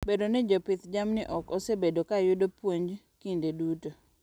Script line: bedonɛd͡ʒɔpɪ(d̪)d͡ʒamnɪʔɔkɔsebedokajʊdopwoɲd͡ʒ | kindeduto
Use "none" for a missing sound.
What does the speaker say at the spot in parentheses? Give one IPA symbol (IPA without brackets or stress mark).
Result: t̪